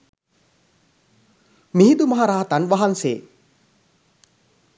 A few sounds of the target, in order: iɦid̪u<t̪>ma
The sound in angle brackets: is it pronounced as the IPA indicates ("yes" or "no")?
no